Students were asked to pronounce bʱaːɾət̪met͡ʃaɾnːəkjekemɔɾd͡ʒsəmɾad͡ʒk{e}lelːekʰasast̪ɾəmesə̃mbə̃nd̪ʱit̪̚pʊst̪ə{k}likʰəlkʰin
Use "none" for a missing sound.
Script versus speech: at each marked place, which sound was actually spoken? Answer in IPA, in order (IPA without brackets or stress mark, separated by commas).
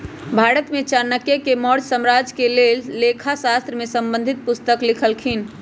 e, k